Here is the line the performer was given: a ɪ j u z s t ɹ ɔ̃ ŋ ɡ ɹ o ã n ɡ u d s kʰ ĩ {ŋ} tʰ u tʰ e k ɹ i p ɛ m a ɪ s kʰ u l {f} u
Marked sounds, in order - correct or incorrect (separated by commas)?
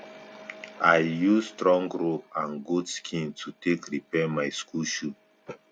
incorrect, incorrect